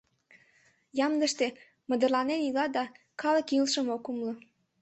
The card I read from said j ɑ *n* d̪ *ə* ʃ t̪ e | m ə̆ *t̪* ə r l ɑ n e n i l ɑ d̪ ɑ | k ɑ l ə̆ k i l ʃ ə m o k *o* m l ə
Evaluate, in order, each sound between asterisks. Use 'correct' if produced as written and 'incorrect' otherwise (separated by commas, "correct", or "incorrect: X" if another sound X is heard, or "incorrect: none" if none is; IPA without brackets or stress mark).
incorrect: m, correct, incorrect: d̪, incorrect: u